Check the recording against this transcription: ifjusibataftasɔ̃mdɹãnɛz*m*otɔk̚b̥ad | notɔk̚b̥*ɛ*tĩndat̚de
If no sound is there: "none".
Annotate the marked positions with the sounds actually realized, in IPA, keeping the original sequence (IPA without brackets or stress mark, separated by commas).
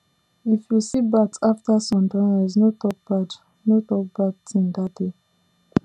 n, a